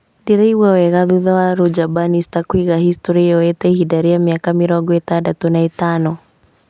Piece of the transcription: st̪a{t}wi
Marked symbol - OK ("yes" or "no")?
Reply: no